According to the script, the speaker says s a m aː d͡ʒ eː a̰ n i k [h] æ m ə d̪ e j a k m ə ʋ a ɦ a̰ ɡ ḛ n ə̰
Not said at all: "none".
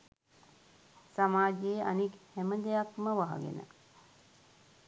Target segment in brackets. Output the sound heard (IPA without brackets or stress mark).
h